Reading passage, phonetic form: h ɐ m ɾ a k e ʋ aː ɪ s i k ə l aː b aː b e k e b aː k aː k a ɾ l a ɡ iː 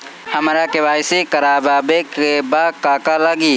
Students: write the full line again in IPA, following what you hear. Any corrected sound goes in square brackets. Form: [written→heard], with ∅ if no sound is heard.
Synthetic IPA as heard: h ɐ m ɾ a k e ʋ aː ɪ s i k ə [l→ɾ] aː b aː b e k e b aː k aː k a [ɾ→∅] l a ɡ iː